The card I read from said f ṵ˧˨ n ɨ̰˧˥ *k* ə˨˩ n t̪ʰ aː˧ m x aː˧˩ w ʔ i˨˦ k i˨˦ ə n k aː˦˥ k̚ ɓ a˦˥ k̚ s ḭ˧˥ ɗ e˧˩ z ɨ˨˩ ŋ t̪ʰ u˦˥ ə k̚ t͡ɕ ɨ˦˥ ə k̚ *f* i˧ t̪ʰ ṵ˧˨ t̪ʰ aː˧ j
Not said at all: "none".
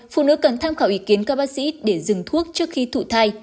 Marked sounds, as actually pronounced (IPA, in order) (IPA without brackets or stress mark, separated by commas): k, x